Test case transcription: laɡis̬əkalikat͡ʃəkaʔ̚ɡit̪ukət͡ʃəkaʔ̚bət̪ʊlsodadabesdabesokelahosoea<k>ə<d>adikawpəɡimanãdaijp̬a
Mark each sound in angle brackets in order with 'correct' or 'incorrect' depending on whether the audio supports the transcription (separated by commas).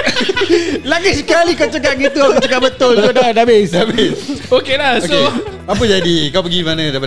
incorrect, incorrect